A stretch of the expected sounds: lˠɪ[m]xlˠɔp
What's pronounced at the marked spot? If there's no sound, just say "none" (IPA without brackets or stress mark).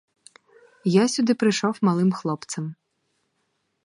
m